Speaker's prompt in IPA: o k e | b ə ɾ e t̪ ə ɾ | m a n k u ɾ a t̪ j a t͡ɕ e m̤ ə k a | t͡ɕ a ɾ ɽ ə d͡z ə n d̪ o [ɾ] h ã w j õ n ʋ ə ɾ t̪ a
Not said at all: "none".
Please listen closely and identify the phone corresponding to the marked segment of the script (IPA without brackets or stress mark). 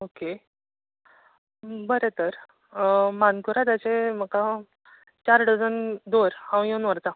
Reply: ɾ